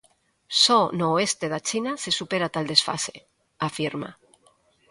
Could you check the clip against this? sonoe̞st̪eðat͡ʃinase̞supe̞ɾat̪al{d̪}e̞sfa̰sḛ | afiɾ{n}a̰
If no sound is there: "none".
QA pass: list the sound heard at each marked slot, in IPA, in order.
d̪, m

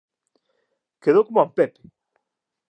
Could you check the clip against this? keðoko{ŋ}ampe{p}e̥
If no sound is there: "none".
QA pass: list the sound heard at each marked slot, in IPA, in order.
m, p

